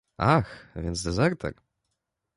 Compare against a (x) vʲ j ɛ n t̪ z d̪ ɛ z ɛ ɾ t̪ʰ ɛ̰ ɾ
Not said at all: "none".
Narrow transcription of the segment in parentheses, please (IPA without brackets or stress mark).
x